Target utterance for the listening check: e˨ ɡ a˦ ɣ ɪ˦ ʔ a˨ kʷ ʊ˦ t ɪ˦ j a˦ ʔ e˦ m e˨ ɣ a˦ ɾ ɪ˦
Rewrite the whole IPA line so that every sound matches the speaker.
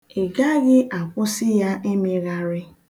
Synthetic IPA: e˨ ɡ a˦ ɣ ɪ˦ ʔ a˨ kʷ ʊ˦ s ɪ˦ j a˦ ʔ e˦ m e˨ ɣ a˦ ɾ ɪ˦